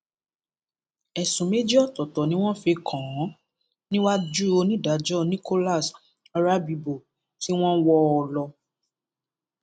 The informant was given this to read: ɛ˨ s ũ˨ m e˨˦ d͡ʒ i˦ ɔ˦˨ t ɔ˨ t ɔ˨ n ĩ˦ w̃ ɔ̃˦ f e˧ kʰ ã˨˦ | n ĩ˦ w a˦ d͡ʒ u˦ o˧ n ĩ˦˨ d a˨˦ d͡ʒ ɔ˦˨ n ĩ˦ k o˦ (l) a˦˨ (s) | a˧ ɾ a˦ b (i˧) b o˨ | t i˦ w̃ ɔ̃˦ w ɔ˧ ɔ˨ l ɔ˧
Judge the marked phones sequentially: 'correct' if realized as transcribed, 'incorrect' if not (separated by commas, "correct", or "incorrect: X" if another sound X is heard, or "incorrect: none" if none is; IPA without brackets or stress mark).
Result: correct, correct, correct